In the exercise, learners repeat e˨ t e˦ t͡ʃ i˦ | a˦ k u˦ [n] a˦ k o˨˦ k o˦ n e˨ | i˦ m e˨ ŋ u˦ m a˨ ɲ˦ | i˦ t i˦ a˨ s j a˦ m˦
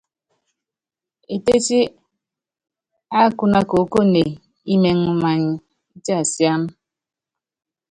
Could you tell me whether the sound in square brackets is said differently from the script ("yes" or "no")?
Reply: no